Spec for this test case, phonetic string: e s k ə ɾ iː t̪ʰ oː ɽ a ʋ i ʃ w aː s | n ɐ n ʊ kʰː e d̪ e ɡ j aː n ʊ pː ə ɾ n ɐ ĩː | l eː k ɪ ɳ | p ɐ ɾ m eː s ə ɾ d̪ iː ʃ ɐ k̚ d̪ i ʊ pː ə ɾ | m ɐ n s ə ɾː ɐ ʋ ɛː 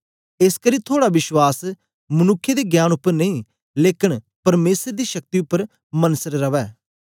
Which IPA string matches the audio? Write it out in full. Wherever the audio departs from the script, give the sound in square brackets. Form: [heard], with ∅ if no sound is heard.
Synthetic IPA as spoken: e s k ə ɾ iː t̪ʰ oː ɽ a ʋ [ɪ] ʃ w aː s | [m] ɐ n ʊ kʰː e d̪ e ɡ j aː n ʊ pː ə ɾ n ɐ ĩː | l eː k ɪ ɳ | p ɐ ɾ m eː s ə ɾ d̪ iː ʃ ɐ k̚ [t̪] i ʊ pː ə ɾ | m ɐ n s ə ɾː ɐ ʋ ɛː